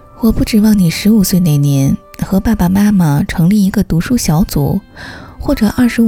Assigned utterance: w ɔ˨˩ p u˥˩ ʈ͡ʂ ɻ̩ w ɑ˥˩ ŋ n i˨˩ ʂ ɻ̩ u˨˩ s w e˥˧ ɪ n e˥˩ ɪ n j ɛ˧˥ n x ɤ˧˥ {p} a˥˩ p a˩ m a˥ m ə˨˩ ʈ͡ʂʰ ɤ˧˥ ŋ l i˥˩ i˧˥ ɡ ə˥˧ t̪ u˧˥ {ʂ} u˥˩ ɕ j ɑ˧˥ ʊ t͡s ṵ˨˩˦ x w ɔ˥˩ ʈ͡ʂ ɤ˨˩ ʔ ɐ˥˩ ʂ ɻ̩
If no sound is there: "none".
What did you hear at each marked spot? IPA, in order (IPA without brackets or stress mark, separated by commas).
p, ʂ